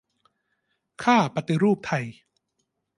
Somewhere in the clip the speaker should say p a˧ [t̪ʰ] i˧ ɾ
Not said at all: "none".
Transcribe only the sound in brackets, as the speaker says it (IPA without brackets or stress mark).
t̪